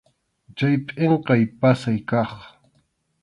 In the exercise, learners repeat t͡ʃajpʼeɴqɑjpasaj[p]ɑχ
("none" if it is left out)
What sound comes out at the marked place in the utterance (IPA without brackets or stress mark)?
k